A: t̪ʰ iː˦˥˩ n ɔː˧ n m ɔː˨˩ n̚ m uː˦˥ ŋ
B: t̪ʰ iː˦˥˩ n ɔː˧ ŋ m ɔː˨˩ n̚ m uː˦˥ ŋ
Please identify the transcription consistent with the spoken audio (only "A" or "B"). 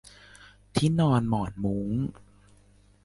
A